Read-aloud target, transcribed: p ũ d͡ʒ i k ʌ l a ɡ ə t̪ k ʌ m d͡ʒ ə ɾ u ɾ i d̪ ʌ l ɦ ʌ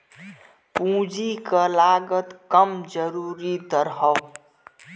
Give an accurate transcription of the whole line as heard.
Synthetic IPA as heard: p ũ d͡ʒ i k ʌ l a ɡ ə t̪ k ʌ m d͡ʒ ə ɾ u ɾ i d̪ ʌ ɾ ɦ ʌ

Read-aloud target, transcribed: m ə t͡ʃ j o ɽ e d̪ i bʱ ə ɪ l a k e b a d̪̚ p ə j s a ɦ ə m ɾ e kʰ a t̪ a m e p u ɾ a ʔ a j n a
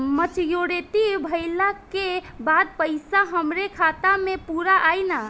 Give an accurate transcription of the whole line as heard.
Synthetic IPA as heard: m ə t͡ʃ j o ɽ e t̪ i bʱ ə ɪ l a k e b a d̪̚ p ə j s a ɦ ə m ɾ e kʰ a t̪ a m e p u ɾ a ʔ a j n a

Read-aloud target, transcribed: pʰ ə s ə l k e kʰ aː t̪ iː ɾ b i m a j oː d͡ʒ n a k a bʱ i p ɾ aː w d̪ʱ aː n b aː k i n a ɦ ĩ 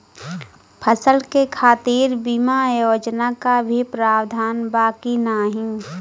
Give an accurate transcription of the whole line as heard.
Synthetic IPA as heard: pʰ ə s ə l k e kʰ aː t̪ iː ɾ b i m a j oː d͡ʒ n a k a bʱ i p ɾ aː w d̪ʱ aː n b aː k i n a ɦ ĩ

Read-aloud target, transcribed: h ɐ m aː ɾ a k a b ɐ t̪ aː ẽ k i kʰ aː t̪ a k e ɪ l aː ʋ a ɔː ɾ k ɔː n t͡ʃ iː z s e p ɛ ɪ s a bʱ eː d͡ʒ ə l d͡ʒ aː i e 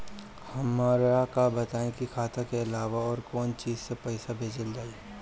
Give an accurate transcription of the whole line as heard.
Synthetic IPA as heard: h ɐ m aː ɾ a k a b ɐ t̪ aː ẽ k i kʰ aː t̪ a k e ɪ l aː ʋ a ɔː ɾ k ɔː n t͡ʃ iː z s e p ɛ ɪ s a bʱ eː d͡ʒ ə l d͡ʒ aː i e

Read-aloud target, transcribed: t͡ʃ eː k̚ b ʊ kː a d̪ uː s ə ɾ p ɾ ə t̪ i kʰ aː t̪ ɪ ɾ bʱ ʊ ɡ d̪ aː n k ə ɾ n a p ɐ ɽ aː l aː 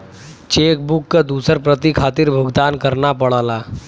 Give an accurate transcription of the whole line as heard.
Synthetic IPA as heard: t͡ʃ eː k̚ b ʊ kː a d̪ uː s ə ɾ p ɾ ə t̪ i kʰ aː t̪ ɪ ɾ bʱ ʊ ɡ d̪ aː n k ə ɾ n a p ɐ ɽ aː l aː

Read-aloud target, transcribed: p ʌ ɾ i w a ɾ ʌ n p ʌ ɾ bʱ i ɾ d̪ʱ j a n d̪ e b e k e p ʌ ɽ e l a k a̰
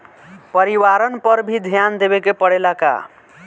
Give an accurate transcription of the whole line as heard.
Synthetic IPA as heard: p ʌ ɾ i w a ɾ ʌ n p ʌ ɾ bʱ i d̪ʱ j a n d̪ e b e k e p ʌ ɽ e l a k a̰

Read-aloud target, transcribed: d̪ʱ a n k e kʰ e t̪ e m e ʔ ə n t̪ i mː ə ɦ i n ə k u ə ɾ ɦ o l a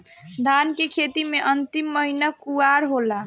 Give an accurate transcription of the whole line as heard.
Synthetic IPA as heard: d̪ʱ a n k e kʰ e t̪ i m e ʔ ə n t̪ i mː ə ɦ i n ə k u a ɾ ɦ o l a

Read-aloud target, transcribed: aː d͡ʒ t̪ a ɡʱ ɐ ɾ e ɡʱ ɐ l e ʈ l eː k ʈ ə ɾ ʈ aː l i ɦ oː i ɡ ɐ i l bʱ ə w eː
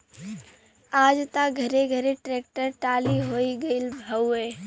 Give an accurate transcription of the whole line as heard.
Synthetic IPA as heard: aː d͡ʒ t̪ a ɡʱ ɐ ɾ e ɡʱ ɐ ɾ e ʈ ɾ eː k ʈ ə ɾ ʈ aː l i ɦ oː i ɡ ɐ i l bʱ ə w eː

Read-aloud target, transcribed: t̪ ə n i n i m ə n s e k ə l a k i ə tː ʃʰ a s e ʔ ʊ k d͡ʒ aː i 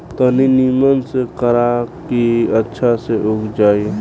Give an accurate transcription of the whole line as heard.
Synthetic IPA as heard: t̪ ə n i n i m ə n s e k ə ɾ a k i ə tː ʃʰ a s e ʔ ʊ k d͡ʒ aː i

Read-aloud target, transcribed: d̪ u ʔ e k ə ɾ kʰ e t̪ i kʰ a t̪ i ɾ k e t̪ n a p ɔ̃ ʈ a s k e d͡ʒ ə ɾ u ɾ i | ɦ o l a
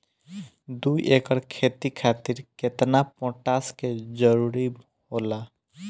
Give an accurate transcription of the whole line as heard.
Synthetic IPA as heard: d̪ u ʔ e k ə ɾ kʰ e t̪ i kʰ a t̪ i ɾ k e t̪ n a p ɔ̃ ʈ a s k e d͡ʒ ə ɾ u ɾ i | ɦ o l a

